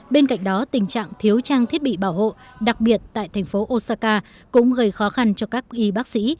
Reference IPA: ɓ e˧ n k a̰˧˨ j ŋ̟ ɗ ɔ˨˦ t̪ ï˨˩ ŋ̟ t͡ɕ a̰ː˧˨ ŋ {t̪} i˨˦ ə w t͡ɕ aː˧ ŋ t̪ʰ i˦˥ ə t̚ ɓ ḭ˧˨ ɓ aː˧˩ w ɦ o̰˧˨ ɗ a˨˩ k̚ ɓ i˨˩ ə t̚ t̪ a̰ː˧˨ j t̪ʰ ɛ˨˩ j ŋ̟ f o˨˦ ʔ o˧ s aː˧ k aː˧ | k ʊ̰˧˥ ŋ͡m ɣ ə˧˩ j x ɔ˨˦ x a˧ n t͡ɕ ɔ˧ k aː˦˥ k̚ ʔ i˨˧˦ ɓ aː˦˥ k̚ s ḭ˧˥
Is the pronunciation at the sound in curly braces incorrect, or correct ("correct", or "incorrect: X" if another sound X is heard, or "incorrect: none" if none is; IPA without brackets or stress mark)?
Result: incorrect: t̪ʰ